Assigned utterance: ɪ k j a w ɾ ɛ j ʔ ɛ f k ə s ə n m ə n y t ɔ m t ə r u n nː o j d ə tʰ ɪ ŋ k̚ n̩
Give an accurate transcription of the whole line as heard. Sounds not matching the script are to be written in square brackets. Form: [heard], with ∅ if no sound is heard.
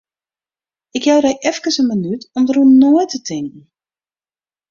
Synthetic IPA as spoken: ɪ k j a w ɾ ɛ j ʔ ɛ f k ə s ə n m ə n y t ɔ m [d] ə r u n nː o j [t] ə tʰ ɪ ŋ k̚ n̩